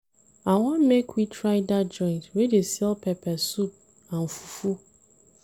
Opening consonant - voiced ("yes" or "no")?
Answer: yes